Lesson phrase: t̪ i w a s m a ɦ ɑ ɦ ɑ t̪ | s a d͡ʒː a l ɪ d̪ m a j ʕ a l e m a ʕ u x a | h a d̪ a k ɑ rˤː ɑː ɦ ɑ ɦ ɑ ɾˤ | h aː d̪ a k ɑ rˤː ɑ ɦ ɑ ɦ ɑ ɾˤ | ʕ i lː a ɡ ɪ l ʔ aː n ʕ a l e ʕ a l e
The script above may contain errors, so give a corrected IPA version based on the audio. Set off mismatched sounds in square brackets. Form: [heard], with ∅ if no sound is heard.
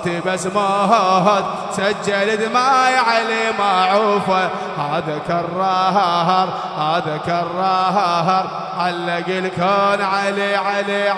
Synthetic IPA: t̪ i [b] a s m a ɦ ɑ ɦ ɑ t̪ | s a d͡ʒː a l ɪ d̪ m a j ʕ a l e m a ʕ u [f] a | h a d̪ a k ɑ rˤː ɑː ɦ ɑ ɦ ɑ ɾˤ | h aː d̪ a k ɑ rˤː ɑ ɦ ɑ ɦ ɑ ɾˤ | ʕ [a] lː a ɡ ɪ l [k] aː n ʕ a l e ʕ a l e